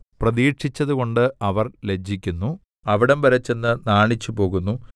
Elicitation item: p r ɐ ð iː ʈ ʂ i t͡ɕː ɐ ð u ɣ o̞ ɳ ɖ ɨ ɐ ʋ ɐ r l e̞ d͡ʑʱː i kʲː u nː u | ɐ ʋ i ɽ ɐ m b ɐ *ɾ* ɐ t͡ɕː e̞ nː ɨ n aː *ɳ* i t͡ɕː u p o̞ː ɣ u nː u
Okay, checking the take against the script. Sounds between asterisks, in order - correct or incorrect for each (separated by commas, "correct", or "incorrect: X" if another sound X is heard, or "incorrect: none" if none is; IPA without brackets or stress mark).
correct, correct